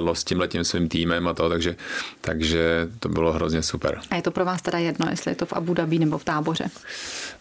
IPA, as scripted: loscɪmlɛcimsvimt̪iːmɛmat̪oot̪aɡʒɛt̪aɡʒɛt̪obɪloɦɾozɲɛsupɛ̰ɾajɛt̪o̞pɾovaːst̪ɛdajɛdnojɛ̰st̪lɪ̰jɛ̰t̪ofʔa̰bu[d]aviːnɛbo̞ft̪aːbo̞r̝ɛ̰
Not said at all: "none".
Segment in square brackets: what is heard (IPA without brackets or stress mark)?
d